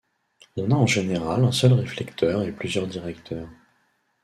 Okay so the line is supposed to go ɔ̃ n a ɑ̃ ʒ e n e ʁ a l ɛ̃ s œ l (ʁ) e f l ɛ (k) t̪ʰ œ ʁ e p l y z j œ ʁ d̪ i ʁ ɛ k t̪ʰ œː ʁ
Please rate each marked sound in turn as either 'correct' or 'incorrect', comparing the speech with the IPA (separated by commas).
correct, correct